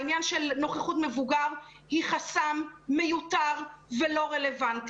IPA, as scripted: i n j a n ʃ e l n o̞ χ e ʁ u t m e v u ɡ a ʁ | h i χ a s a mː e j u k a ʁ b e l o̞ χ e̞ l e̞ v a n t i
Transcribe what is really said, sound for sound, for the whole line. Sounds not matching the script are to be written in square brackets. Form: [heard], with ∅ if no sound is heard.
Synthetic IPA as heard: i n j a n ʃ e l n o̞ χ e [χ] u t m e v u ɡ a ʁ | h i χ a s a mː e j u [t] a ʁ [v] e l o̞ [ʁ] e̞ l e̞ v a n t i